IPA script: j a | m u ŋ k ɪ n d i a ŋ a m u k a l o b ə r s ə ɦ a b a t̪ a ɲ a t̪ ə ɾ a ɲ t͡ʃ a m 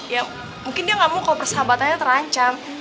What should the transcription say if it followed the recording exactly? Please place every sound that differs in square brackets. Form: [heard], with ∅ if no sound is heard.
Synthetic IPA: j a | m u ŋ k ɪ n d i a ŋ a m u k a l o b ə r s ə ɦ a b a t̪ a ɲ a t̪ ə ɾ a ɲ t͡ʃ a m